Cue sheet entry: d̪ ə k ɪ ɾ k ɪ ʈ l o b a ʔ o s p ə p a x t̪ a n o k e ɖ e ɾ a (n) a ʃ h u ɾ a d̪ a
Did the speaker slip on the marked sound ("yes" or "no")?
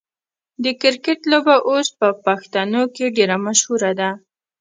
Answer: yes